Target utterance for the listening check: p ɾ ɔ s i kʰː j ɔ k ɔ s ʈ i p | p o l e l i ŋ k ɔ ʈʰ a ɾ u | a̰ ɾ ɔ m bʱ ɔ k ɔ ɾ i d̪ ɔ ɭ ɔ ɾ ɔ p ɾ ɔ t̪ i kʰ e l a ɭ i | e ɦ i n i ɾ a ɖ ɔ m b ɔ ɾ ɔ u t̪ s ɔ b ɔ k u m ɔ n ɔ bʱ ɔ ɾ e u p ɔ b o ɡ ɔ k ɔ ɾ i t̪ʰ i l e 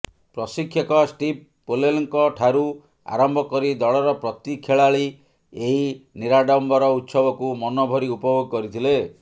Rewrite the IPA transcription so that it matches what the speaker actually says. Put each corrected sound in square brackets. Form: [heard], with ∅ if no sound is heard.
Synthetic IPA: p ɾ ɔ s i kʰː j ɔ k ɔ s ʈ i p | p o l e l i ŋ k ɔ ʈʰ a ɾ u | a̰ ɾ ɔ m bʱ ɔ k ɔ ɾ i d̪ ɔ ɭ ɔ ɾ ɔ p ɾ ɔ t̪ i kʰ e [ɭ] a ɭ i | e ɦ i n i ɾ a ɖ ɔ m b ɔ ɾ ɔ u t̪ s ɔ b ɔ k u m ɔ n ɔ bʱ ɔ ɾ [i] u p ɔ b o ɡ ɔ k ɔ ɾ i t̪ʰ i l e